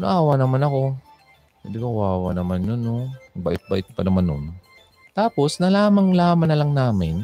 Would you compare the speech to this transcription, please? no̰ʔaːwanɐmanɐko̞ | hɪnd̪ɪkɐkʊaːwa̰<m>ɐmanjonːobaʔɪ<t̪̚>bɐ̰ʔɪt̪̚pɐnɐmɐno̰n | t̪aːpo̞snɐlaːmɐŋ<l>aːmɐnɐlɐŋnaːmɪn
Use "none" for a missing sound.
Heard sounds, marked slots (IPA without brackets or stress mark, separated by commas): n, t̪̚, l